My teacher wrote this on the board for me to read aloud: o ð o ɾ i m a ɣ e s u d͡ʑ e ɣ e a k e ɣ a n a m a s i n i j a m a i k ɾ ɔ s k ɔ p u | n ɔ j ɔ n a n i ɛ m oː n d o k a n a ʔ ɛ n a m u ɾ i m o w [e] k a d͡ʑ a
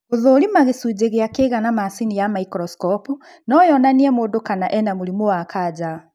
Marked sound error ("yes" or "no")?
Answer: yes